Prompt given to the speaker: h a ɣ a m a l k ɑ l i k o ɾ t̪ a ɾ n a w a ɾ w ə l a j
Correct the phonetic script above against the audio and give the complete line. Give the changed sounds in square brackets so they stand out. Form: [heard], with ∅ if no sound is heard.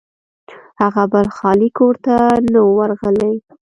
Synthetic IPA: h a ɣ a [b] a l [x] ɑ l i k o ɾ t̪ a [∅] n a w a ɾ [ɣ] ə l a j